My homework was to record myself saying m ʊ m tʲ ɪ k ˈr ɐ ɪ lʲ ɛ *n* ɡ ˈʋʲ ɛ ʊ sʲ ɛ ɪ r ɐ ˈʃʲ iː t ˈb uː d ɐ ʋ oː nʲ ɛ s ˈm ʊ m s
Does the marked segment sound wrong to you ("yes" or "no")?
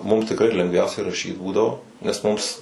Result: yes